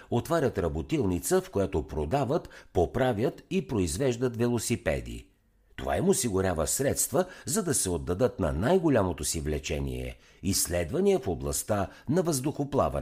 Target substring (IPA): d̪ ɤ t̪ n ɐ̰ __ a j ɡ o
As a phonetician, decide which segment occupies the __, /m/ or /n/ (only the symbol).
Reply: n